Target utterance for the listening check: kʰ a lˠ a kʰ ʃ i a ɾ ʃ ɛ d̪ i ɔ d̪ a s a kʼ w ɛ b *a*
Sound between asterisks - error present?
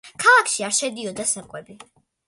yes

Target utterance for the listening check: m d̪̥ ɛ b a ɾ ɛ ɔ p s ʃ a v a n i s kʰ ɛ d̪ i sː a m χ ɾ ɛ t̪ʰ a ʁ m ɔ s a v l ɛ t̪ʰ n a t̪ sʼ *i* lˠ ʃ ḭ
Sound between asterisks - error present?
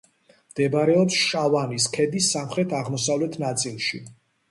no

